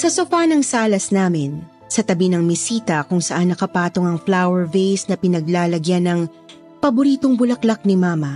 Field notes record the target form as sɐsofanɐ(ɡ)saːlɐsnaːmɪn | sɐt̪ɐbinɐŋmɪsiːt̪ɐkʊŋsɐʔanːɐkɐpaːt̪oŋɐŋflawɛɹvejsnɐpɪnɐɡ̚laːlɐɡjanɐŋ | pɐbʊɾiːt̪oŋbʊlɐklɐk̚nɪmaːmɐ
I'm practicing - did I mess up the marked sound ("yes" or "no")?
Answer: yes